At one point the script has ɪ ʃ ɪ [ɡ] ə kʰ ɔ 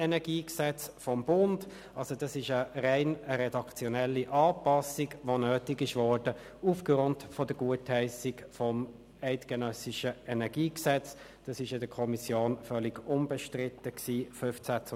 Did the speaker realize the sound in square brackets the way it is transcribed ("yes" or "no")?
no